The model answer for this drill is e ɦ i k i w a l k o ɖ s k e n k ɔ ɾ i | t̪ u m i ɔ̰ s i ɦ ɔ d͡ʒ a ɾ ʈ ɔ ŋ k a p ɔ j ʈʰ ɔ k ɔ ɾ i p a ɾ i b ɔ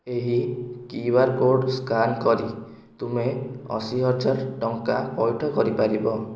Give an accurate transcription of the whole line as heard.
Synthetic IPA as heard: e ɦ i k i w a ɾ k o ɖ s k a n k ɔ ɾ i | t̪ u m e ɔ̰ s i ɦ ɔ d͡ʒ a ɾ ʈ ɔ ŋ k a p ɔ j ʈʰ ɔ k ɔ ɾ i p a ɾ i b ɔ